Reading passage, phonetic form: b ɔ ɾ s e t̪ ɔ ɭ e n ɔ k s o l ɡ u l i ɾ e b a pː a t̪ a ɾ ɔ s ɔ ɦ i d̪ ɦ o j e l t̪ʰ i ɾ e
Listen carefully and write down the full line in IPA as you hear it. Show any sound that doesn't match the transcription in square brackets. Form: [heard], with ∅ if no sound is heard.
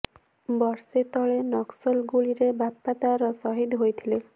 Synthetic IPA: b ɔ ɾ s e t̪ ɔ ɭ e n ɔ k s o l ɡ u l i ɾ e b a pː a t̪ a ɾ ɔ s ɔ ɦ i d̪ ɦ o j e [∅] t̪ʰ i [l] e